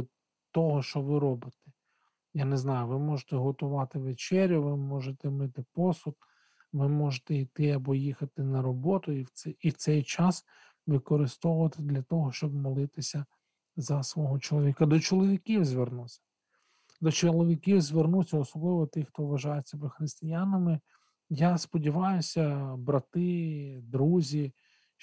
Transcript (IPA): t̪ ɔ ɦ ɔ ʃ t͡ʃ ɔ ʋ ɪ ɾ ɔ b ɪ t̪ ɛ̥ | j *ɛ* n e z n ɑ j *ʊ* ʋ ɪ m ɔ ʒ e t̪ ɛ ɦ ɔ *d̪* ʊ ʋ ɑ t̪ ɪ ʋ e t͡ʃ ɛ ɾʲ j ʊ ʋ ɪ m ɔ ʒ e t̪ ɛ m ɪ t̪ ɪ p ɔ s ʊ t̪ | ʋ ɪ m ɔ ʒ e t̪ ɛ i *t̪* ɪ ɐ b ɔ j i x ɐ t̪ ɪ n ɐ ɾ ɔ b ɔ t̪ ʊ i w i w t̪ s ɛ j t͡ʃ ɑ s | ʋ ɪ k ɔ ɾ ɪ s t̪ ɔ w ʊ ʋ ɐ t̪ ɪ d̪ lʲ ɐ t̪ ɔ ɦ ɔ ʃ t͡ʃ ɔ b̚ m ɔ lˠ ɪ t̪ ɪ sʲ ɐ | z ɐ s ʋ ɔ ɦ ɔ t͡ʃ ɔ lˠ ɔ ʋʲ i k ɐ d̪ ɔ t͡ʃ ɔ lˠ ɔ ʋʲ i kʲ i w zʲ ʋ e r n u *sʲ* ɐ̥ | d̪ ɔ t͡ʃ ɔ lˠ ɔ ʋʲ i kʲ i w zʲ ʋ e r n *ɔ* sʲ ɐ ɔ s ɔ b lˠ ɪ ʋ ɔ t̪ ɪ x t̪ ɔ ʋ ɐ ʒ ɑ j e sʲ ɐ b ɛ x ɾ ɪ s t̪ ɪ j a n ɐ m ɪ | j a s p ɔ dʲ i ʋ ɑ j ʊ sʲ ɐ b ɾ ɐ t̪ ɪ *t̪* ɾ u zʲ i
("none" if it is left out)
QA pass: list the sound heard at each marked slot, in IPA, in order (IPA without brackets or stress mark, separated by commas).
a, ʊ, t̪, t̪, sʲ, u, d̪